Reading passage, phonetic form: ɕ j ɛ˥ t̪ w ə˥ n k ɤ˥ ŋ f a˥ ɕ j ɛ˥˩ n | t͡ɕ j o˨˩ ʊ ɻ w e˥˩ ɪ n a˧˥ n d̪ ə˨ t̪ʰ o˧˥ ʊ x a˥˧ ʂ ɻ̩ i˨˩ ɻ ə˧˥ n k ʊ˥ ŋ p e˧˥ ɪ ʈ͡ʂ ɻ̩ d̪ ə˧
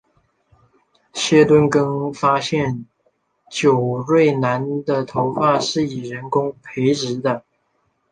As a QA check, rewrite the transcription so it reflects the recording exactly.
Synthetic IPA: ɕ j ɛ˥ t̪ w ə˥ n k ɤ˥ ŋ f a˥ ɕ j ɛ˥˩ n | t͡ɕ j o˨˩ ʊ ɻ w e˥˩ ɪ n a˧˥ n d̪ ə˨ t̪ʰ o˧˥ ʊ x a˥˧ ʂ ɻ̩ i˨˩ ɻ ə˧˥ n k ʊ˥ ŋ pʰ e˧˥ ɪ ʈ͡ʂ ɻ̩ d̪ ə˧